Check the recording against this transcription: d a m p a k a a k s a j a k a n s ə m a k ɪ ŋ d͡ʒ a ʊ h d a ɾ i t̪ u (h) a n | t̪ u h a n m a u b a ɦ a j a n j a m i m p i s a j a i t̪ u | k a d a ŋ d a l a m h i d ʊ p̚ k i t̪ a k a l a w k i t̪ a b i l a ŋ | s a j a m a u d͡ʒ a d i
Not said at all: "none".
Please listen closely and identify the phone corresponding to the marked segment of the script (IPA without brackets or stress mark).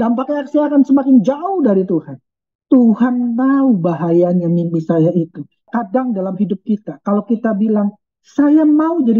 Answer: h